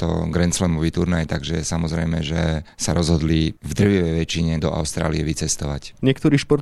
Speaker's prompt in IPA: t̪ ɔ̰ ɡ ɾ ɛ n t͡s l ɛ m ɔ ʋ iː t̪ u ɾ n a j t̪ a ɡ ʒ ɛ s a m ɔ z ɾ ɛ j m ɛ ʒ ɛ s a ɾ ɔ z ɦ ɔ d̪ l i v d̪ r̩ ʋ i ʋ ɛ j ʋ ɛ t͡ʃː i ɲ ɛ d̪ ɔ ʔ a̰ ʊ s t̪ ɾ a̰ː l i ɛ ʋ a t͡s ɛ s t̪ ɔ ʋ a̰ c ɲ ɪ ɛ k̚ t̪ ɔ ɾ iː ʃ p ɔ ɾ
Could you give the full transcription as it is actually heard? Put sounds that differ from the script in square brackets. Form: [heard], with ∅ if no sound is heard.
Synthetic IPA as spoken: t̪ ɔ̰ ɡ ɾ ɛ n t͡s l ɛ m ɔ ʋ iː t̪ u ɾ n a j t̪ a ɡ ʒ ɛ s a m ɔ z ɾ ɛ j m ɛ ʒ ɛ s a ɾ ɔ z ɦ ɔ d̪ l i v d̪ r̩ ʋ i ʋ ɛ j ʋ ɛ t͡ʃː i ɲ ɛ d̪ ɔ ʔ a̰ ʊ s t̪ ɾ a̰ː l i ɛ ʋ [i] t͡s ɛ s t̪ ɔ ʋ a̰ c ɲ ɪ ɛ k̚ t̪ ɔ ɾ iː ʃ p ɔ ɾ